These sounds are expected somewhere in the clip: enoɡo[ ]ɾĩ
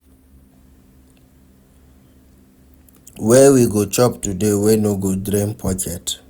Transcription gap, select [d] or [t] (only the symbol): d